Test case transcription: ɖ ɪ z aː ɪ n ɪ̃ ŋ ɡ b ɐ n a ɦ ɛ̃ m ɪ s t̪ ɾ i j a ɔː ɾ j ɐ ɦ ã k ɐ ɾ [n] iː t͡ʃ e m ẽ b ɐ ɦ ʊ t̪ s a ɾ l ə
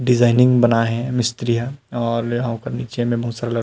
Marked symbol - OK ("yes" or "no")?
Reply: yes